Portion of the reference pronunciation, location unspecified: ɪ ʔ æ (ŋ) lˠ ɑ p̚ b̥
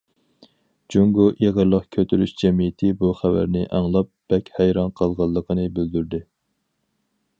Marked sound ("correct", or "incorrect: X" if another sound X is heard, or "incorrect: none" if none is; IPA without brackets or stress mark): correct